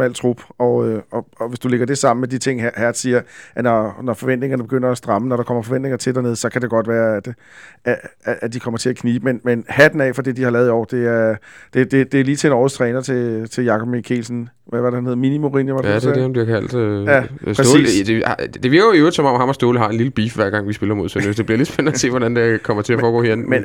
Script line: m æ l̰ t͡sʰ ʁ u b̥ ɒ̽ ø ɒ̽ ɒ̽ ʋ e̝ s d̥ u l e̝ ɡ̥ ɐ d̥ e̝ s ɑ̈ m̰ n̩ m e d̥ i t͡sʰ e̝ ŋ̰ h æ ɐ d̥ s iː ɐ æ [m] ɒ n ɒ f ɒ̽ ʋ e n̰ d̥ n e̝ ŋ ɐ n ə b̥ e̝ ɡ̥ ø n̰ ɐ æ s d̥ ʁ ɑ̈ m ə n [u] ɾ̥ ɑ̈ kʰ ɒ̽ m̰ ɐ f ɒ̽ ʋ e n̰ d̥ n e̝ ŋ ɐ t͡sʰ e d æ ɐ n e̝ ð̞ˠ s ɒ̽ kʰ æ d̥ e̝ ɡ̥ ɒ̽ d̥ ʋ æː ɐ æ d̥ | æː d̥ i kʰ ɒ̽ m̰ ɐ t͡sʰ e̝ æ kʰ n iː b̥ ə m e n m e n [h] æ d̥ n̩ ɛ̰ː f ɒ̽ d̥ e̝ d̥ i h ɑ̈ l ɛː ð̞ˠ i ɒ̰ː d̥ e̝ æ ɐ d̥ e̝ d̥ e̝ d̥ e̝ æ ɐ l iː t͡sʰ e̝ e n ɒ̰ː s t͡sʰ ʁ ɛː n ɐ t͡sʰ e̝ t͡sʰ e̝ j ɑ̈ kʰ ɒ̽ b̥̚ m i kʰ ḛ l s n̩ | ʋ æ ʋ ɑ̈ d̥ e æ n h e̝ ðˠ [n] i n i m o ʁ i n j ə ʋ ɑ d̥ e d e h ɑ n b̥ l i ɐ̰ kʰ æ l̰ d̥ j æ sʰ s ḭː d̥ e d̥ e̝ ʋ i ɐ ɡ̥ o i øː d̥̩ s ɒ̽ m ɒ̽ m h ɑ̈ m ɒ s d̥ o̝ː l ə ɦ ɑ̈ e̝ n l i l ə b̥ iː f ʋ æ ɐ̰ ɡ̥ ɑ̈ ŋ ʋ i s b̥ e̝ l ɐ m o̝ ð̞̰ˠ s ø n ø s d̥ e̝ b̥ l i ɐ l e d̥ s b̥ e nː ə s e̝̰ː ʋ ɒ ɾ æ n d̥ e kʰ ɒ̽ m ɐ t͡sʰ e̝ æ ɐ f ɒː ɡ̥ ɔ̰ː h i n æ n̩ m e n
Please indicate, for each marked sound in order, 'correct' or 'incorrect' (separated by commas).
incorrect, incorrect, correct, incorrect